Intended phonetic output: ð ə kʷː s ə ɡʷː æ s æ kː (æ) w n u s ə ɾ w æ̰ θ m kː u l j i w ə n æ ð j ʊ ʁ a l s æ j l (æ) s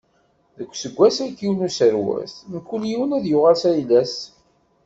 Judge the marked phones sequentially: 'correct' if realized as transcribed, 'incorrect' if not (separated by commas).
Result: incorrect, correct